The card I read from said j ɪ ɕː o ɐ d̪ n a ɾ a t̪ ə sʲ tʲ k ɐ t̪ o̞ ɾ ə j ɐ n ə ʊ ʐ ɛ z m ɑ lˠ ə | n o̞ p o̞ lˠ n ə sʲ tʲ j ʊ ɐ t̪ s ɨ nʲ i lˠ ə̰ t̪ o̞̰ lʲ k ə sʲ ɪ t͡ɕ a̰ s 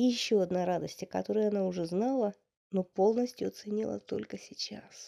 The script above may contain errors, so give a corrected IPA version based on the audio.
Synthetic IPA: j ɪ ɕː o ɐ d̪ n a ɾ a d̪ ə sʲ tʲ k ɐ t̪ o̞ ɾ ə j ɐ n a ʊ ʐ ɛ z n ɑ lˠ ə | n o̞ p o̞ lˠ n ə sʲ tʲ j ʊ ɐ t̪ s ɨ nʲ i lˠ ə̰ t̪ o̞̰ lʲ k ə sʲ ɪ t͡ɕ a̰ s